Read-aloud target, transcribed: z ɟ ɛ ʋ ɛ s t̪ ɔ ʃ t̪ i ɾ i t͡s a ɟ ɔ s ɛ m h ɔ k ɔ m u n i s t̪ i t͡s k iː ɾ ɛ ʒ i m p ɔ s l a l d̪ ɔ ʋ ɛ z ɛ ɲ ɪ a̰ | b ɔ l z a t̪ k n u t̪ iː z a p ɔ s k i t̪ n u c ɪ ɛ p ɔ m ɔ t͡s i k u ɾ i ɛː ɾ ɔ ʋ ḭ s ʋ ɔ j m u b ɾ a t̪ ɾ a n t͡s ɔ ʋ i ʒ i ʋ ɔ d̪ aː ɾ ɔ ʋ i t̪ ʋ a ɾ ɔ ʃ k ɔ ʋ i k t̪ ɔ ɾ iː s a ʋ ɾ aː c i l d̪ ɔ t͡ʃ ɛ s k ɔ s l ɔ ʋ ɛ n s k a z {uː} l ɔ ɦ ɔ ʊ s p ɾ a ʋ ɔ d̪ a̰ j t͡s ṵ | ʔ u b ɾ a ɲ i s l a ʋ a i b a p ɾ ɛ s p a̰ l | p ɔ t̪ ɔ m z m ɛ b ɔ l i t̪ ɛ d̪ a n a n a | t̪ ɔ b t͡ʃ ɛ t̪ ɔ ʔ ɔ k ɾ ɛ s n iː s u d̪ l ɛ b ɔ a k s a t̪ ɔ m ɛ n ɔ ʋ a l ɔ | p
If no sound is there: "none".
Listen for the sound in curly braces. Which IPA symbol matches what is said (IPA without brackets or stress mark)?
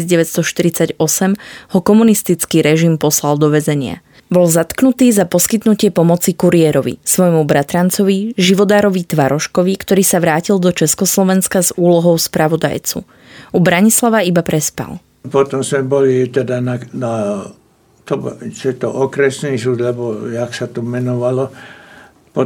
uː